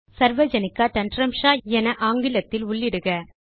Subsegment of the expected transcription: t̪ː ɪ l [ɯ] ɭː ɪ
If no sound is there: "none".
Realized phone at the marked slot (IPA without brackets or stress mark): ʊ